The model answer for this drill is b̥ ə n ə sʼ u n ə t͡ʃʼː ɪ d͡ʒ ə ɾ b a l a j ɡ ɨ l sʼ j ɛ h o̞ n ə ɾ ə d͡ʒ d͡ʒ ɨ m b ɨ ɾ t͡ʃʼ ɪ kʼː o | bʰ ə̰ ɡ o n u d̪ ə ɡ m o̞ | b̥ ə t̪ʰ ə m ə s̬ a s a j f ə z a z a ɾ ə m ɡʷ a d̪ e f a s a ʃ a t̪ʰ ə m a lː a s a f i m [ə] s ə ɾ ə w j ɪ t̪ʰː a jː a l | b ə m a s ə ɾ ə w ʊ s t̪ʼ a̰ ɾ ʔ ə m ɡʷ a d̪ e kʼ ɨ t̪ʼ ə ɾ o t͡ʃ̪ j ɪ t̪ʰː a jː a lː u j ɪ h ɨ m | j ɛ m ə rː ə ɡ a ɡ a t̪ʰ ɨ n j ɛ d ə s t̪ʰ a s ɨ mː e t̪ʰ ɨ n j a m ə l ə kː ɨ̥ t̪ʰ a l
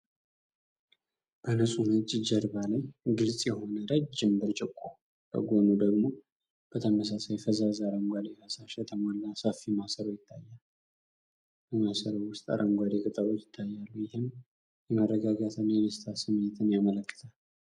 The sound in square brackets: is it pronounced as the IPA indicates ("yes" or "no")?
no